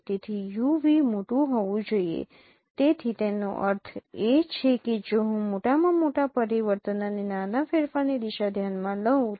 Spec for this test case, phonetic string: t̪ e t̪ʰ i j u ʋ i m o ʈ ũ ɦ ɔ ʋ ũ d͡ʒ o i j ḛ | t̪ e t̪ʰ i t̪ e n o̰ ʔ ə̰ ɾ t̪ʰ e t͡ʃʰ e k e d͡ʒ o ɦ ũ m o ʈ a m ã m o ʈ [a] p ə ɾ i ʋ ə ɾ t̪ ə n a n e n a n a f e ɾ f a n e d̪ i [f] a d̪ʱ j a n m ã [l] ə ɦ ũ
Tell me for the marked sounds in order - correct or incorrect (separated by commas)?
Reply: correct, incorrect, correct